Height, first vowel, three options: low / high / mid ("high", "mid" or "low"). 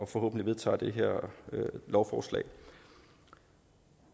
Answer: low